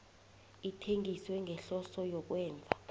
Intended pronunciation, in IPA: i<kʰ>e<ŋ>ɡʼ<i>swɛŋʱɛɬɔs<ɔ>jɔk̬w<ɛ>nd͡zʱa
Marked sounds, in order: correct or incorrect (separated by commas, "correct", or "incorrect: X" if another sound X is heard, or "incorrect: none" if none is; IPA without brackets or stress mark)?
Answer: incorrect: tʰ, correct, correct, correct, incorrect: ɛː